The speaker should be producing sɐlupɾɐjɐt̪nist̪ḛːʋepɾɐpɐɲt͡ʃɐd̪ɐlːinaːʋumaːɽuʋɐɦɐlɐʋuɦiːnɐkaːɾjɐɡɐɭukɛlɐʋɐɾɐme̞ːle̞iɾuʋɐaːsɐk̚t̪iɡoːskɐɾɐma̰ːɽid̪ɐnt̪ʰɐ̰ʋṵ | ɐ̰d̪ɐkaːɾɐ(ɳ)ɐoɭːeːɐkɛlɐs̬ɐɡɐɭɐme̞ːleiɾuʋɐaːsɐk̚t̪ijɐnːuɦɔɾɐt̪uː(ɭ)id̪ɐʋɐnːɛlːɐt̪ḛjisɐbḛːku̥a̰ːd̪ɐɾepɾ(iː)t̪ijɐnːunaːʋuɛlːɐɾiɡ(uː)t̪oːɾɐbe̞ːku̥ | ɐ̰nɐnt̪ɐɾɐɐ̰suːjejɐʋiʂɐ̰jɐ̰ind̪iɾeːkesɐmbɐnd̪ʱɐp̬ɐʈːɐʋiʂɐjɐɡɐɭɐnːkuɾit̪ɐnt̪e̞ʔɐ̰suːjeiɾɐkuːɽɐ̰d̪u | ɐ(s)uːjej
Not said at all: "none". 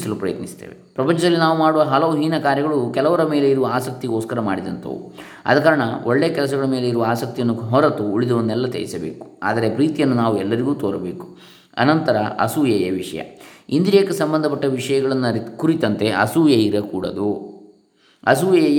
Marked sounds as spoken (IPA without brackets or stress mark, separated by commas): ɳ, ɭ, iː, uː, s